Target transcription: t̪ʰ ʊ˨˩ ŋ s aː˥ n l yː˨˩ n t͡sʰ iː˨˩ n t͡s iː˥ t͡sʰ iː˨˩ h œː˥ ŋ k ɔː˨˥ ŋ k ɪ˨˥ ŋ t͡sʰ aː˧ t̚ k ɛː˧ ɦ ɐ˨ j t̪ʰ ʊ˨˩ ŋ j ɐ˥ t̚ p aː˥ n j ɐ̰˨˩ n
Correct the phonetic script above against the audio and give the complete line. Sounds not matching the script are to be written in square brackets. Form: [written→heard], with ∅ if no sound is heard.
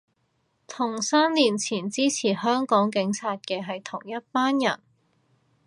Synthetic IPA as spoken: t̪ʰ ʊ˨˩ ŋ s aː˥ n l [yː˨˩→iː˨˩] n t͡sʰ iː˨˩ n t͡s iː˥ t͡sʰ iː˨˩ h œː˥ ŋ k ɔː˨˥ ŋ k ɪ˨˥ ŋ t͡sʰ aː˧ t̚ k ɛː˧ ɦ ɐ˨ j t̪ʰ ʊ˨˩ ŋ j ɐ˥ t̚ p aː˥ n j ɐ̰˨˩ n